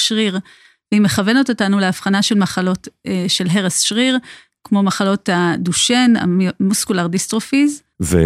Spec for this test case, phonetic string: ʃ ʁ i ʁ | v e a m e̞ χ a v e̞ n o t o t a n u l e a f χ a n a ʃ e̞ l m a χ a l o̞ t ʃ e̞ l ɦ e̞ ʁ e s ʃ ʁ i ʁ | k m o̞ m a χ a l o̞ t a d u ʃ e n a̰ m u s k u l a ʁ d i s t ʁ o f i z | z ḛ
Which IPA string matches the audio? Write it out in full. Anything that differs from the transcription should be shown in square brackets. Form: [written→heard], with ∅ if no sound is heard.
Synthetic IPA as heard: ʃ ʁ i ʁ | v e [a→i] m e̞ χ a v e̞ n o t o t a n u l e a f χ a n a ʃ e̞ l m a χ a l o̞ t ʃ e̞ l ɦ e̞ ʁ e s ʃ ʁ i ʁ | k m o̞ m a χ a l o̞ t a d u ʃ e n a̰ m u s k u l a ʁ d i s t ʁ o f i z | [z→v] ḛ